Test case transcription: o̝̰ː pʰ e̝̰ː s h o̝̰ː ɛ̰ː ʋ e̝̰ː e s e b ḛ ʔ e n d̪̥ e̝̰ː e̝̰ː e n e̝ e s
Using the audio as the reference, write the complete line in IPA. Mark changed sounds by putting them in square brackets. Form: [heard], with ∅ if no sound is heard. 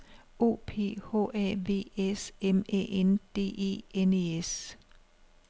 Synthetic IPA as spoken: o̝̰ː pʰ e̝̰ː [∅] h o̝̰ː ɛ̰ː ʋ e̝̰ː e s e [m] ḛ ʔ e n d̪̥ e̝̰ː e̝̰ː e n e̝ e s